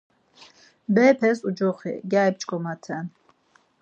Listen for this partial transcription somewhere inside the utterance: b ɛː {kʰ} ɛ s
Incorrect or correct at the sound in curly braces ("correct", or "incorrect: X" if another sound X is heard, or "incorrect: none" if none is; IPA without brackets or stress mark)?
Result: incorrect: pʰ